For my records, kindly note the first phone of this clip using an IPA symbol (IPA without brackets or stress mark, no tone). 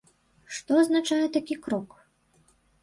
ʂ